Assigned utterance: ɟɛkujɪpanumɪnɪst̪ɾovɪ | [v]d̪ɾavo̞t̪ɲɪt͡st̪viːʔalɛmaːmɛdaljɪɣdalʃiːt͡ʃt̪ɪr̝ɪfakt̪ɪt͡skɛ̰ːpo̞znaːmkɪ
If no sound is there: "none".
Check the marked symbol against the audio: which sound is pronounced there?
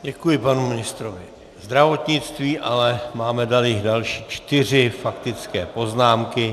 z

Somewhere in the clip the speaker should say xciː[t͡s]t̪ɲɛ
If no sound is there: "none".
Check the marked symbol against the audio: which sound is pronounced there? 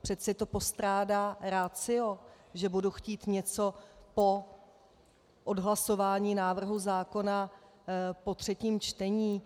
none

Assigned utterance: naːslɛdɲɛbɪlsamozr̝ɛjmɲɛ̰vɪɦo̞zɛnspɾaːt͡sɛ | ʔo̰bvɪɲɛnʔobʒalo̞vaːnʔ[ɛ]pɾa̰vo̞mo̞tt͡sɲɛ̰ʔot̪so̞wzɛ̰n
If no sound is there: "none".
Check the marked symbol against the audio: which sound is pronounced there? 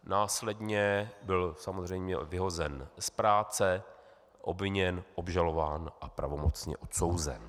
a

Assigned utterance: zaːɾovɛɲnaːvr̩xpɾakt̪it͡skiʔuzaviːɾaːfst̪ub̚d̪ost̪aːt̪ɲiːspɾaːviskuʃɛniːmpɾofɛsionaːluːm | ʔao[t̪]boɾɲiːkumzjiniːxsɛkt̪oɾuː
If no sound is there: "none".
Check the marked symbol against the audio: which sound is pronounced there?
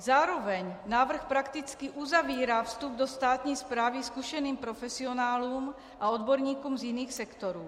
d̪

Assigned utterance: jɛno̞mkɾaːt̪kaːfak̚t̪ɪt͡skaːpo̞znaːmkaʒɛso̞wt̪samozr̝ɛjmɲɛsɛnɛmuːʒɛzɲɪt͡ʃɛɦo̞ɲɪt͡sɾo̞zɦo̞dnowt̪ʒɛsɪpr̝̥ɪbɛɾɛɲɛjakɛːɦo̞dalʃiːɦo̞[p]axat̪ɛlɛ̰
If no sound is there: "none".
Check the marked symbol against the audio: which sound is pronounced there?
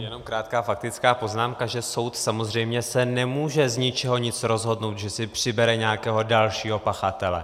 p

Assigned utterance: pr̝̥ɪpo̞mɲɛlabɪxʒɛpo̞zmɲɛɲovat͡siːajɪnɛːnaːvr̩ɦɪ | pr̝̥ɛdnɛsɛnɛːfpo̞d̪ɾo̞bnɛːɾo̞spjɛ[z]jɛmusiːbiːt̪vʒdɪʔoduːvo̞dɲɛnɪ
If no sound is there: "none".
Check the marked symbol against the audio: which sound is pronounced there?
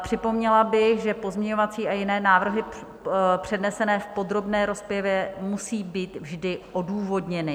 v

